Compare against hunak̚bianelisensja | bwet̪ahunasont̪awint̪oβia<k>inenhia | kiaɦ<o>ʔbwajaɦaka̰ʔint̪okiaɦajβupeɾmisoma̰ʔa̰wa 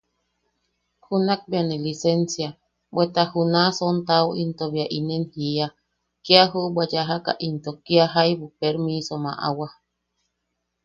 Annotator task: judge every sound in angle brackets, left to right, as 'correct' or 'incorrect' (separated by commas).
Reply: incorrect, incorrect